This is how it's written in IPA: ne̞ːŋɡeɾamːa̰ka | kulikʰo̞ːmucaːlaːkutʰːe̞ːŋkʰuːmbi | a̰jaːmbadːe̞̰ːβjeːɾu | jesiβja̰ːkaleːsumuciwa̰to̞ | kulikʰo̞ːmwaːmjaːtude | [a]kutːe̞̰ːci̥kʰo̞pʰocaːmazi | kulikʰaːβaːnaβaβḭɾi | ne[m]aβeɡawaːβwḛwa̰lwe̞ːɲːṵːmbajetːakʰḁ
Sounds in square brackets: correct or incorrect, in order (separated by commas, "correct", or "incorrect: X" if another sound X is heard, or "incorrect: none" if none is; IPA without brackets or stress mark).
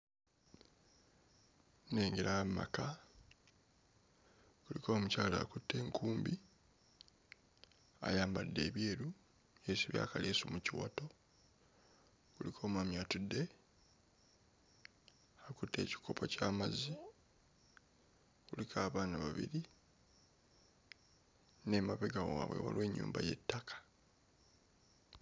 correct, correct